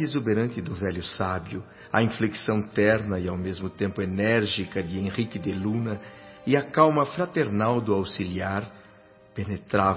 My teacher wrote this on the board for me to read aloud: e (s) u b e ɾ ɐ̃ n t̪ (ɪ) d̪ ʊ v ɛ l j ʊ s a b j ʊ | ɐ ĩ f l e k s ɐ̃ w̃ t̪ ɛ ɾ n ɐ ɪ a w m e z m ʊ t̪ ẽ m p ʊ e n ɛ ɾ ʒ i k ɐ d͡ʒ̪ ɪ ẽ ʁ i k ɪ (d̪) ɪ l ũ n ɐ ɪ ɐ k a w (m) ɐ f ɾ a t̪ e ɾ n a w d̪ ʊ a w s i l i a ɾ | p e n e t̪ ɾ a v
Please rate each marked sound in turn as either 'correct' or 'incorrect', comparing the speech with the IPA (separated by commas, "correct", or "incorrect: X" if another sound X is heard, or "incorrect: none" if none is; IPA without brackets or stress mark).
incorrect: z, correct, correct, correct